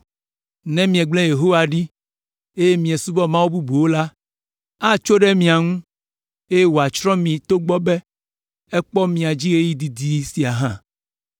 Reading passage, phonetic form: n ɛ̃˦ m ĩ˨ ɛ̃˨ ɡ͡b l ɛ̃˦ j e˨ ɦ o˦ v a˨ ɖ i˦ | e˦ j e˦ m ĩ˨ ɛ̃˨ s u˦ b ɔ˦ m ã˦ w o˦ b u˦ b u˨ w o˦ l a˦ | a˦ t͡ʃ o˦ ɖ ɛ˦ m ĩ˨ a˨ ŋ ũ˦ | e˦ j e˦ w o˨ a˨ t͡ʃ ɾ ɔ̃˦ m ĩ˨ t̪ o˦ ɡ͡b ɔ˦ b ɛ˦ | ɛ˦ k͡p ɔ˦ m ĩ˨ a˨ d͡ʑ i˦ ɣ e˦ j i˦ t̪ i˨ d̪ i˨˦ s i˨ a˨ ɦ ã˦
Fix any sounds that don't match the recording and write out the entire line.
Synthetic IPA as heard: n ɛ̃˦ m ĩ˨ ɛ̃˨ ɡ͡b l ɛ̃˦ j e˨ ɦ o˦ w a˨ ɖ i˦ | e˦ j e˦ m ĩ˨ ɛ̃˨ s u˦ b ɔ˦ m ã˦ w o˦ b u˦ b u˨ w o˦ l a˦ | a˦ t͡ʃ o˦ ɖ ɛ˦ m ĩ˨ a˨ ŋ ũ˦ | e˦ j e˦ w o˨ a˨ t͡ʃ ɾ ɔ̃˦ m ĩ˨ t̪ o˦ ɡ͡b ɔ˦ b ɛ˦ | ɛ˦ k͡p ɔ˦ m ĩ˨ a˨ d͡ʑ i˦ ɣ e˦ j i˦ d̪ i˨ d̪ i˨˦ s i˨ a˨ ɦ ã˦